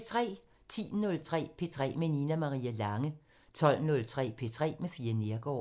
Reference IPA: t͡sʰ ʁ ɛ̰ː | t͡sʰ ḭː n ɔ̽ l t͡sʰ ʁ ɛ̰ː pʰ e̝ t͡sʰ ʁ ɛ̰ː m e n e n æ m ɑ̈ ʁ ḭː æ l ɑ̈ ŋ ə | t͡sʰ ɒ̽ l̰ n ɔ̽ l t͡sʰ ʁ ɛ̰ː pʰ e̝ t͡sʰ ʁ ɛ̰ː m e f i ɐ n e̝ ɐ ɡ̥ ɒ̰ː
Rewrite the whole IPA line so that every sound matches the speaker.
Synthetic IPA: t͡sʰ ʁ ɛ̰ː | t͡sʰ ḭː n ɔ̽ l t͡sʰ ʁ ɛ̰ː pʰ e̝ t͡sʰ ʁ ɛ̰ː m e n i n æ m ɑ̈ ʁ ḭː æ l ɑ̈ ŋ ə | t͡sʰ ɒ̽ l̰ n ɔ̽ l t͡sʰ ʁ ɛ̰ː pʰ e̝ t͡sʰ ʁ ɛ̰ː m e f iː ɐ n e̝ ɐ ɡ̥ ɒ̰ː